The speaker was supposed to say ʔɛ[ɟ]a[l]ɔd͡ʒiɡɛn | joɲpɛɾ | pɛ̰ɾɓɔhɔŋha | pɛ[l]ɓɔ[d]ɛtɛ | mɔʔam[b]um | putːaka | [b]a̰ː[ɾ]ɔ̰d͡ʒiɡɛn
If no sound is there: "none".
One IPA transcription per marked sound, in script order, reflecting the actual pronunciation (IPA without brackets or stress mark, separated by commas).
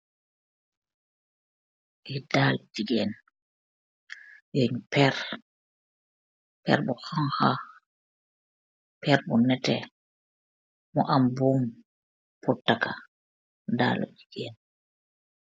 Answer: d, l, ɾ, n, b, d, l